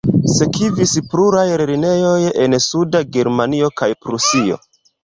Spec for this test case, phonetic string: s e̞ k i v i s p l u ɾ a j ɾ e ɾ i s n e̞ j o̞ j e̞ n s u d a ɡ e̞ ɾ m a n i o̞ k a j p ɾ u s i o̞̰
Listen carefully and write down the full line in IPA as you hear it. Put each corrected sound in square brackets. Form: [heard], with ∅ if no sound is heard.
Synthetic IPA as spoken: s e̞ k i v i s p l u ɾ a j ɾ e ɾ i [∅] n e̞ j o̞ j e̞ n s u d a ɡ e̞ ɾ m a n i o̞ k a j p ɾ u s i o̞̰